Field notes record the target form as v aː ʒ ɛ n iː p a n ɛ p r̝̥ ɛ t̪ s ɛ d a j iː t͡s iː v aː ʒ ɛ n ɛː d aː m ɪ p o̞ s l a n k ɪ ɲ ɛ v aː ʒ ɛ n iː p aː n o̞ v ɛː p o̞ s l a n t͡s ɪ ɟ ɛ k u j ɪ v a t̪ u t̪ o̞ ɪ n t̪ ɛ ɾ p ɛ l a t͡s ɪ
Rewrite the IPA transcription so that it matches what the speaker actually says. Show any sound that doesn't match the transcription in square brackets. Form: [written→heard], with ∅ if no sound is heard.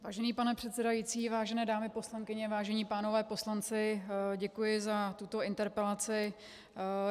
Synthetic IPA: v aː ʒ ɛ n iː p a n ɛ p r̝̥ ɛ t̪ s ɛ d a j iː t͡s iː v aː ʒ ɛ n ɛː d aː m ɪ p o̞ s l a [n→ŋ] k ɪ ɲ ɛ v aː ʒ ɛ [n→ɲ] iː p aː n o̞ v ɛː p o̞ s l a n t͡s ɪ ɟ ɛ k u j ɪ [v→z] a t̪ u t̪ o̞ ɪ n t̪ ɛ ɾ p ɛ l a t͡s ɪ